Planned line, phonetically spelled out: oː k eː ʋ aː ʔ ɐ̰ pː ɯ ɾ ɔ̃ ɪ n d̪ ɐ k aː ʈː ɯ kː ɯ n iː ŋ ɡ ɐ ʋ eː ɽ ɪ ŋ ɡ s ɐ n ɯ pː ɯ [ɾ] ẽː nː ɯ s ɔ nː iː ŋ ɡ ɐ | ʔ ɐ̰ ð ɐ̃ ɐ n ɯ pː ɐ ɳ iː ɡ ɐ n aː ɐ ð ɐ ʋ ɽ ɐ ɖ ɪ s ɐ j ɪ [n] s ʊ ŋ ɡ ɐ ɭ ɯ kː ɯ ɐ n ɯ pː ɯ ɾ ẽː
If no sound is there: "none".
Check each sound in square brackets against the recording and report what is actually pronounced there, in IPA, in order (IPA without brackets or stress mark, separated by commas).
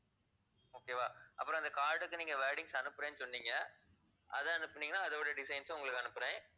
ɾ, n